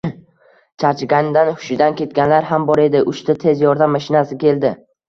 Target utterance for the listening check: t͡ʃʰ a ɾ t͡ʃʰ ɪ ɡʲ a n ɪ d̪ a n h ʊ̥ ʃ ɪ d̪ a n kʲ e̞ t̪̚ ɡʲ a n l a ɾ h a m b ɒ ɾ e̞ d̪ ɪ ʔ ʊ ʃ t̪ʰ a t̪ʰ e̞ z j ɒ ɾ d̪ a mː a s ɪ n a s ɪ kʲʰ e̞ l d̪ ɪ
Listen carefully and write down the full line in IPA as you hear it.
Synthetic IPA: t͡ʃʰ a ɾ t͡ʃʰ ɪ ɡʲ a n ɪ d̪ a n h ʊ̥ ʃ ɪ d̪ a n kʲ e̞ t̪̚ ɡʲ a n l a ɾ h a m b ɒ ɾ e̞ d̪ ɪ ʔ ʊ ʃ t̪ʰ a t̪ʰ e̞ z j ɒ ɾ d̪ a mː a ʃ ɪ n a s ɪ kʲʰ e̞ l d̪ ɪ